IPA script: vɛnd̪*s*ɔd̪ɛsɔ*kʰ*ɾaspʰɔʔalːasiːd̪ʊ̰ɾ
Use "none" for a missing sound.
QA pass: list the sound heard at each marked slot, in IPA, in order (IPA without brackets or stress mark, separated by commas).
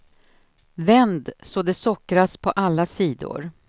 s, k